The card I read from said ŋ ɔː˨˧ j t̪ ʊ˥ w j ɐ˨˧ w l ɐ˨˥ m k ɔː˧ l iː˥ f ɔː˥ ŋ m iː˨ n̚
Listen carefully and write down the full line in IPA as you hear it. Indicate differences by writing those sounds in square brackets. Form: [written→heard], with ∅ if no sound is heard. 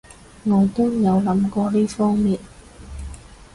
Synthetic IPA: ŋ ɔː˨˧ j t̪ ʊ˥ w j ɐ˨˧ w l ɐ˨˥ m k ɔː˧ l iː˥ f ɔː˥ ŋ m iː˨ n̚